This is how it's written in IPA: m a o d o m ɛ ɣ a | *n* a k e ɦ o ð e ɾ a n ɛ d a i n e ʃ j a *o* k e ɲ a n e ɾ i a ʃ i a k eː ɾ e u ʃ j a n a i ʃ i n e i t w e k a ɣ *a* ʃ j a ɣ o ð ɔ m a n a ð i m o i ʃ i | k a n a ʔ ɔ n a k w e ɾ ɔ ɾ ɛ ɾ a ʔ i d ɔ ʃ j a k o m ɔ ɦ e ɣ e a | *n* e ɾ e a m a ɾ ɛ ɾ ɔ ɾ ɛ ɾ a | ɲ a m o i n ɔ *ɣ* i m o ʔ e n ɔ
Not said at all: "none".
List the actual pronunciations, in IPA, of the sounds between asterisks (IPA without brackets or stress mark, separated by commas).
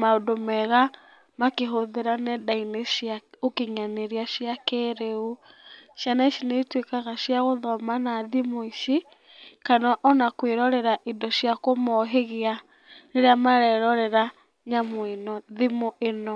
m, o, a, n, ð